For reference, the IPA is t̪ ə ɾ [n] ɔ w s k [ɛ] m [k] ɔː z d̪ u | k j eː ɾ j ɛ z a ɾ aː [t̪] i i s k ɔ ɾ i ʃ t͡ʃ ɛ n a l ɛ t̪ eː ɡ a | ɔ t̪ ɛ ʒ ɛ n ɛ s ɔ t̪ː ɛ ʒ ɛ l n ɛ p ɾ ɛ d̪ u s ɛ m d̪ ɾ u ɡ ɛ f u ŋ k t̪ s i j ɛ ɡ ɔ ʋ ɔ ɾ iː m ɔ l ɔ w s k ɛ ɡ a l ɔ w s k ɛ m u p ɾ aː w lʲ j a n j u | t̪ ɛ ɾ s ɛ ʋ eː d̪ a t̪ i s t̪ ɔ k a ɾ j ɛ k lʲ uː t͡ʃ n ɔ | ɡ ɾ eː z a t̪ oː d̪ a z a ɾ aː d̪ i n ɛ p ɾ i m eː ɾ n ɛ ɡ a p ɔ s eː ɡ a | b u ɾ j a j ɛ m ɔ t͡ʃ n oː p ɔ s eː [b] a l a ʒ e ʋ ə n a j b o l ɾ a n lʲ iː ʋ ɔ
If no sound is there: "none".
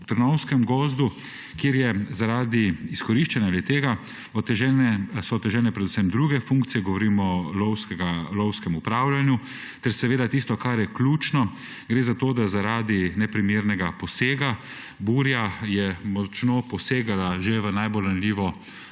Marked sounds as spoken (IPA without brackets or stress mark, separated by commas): n, ɛ, ɡ, d̪, ɡ